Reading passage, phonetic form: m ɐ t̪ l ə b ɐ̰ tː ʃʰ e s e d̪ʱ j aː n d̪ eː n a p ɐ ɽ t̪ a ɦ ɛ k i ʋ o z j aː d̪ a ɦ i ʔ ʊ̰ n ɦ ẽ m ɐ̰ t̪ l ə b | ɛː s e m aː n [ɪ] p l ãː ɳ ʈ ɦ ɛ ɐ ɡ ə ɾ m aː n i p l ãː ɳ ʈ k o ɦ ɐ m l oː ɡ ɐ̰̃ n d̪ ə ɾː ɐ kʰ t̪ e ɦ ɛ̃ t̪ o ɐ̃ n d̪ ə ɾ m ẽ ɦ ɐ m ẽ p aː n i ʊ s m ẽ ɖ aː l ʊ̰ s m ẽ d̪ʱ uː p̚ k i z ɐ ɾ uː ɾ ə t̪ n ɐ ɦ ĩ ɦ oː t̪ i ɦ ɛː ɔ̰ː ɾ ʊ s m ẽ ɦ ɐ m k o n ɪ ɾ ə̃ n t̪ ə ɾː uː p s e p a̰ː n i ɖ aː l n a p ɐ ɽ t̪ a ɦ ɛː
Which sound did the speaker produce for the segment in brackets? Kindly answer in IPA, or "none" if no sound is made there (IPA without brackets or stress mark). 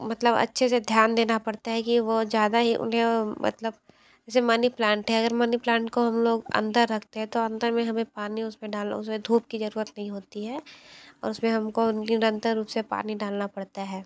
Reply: i